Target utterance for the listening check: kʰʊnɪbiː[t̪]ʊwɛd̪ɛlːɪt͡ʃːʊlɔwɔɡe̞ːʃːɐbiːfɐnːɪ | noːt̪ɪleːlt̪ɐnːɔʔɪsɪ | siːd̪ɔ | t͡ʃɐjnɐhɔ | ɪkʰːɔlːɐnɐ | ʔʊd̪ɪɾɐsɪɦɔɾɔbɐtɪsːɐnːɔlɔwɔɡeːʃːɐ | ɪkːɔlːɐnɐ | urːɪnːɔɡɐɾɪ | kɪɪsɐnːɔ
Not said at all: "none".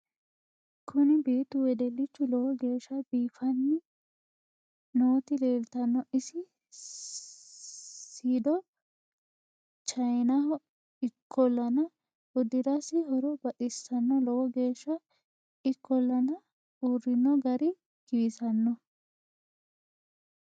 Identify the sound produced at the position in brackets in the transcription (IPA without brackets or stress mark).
t̪